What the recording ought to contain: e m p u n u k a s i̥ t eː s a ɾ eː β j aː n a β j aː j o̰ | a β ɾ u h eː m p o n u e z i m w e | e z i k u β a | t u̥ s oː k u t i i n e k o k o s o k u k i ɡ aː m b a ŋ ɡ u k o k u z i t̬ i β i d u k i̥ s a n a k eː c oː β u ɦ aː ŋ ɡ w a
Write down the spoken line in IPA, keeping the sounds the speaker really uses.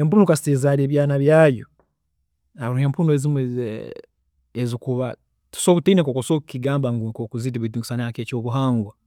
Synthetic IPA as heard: e m p u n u k a s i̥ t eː z a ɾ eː β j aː n a β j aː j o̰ | a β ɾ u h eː m p u n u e z i m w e | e z i k u β a | t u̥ s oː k u t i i n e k o k o s o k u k i ɡ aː m b a ŋ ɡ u k o k u z i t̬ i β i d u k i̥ s a n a k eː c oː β u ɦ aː ŋ ɡ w a